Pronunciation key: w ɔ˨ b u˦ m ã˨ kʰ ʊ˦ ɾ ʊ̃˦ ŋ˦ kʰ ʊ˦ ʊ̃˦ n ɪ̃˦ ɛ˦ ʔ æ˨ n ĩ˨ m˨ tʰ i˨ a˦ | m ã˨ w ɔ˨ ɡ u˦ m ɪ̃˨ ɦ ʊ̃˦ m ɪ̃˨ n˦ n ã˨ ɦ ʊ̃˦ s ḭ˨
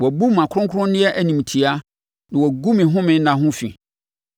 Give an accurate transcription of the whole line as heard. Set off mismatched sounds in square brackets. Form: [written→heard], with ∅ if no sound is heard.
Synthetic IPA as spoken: w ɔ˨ b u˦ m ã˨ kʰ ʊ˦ ɾ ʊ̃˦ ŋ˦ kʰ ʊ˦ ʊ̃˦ n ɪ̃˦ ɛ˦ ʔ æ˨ n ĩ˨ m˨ tʰ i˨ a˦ | [m→n] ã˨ w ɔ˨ ɡ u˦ m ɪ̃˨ ɦ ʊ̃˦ m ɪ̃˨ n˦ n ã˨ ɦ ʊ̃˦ [s→f] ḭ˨